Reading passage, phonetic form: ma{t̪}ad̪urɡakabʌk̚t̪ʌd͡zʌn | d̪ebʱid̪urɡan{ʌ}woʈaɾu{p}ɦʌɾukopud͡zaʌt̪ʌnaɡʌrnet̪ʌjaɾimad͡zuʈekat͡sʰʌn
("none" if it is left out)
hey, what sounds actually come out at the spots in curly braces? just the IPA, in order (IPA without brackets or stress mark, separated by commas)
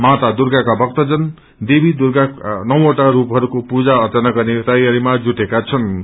t̪, ʌ, p